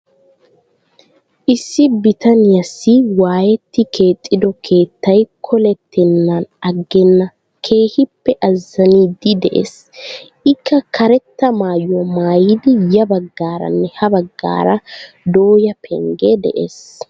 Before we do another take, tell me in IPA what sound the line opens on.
ʔ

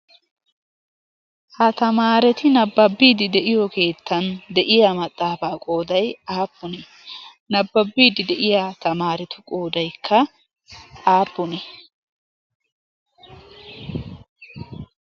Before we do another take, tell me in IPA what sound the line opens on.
h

